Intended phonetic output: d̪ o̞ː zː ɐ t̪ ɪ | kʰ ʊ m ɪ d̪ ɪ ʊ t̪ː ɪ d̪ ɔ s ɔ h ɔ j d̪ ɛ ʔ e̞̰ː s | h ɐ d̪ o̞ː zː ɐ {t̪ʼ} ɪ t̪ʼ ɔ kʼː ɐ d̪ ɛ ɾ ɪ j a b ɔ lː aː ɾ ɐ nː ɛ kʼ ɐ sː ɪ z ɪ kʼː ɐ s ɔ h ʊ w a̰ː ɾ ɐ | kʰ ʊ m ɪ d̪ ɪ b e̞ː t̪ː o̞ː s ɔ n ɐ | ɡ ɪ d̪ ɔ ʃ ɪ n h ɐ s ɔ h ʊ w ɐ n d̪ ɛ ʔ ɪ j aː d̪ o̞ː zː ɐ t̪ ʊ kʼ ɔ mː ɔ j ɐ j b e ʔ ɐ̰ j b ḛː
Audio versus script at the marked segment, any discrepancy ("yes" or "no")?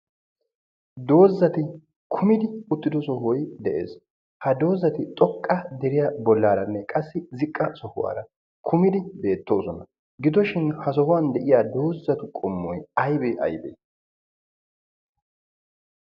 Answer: yes